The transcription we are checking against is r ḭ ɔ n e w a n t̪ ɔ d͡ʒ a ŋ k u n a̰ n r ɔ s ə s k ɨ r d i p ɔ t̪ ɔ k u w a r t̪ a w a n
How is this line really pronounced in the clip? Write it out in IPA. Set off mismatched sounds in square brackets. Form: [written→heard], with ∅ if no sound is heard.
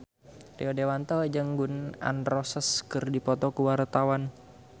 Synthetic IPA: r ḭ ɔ [n→d] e w a n t̪ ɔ d͡ʒ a ŋ [k→ɡ] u n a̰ n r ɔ s ə s k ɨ r d i p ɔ t̪ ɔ k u w a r t̪ a w a n